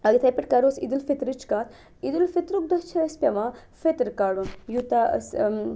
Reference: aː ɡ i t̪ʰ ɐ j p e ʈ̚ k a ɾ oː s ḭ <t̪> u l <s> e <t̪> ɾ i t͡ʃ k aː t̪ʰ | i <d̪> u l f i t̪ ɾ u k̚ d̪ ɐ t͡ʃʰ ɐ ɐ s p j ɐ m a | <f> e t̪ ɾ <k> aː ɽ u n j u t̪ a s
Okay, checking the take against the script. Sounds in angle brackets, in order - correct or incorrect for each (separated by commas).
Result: incorrect, incorrect, correct, correct, correct, correct